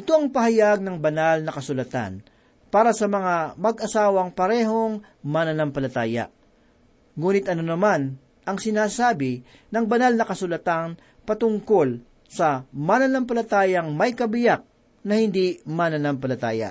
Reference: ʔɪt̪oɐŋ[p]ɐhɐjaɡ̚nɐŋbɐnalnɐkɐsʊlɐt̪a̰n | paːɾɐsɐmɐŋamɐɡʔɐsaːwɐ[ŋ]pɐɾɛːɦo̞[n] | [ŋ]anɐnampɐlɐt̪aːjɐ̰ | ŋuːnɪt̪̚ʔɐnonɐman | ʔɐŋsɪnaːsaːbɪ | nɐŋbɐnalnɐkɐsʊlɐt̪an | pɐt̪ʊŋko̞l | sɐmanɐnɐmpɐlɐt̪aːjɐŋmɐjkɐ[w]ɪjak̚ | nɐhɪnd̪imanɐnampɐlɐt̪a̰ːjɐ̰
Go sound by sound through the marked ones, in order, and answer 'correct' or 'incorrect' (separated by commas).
correct, correct, incorrect, incorrect, incorrect